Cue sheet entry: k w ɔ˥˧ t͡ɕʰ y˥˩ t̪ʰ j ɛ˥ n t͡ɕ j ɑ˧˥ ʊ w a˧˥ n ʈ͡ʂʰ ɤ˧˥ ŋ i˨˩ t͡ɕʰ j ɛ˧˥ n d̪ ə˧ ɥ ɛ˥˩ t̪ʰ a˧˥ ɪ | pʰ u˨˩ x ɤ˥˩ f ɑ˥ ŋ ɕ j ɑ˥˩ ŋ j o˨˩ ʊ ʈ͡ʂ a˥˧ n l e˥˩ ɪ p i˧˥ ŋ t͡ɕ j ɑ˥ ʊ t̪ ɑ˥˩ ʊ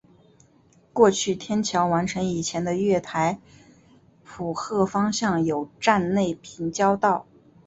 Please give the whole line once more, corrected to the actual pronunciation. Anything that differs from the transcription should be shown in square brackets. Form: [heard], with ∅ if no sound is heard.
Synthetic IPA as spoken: k w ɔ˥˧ t͡ɕʰ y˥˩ t̪ʰ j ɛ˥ n [t͡ɕʰ] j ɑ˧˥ ʊ w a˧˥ n ʈ͡ʂʰ ɤ˧˥ ŋ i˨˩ t͡ɕʰ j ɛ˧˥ n d̪ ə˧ ɥ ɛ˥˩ t̪ʰ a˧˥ ɪ | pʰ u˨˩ x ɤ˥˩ f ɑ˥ ŋ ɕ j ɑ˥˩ ŋ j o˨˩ ʊ ʈ͡ʂ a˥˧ n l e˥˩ ɪ [pʰ] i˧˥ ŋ t͡ɕ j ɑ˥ ʊ t̪ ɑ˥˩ ʊ